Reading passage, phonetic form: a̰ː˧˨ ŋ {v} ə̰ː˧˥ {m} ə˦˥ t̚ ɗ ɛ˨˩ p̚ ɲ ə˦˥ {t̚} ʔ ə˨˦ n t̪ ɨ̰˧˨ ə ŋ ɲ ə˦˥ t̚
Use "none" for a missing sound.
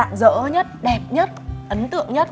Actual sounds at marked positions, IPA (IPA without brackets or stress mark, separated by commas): z, ɲ, t̚